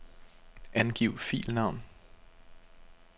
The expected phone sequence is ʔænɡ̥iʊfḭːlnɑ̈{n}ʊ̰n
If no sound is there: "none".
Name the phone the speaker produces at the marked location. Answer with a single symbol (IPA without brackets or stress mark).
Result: none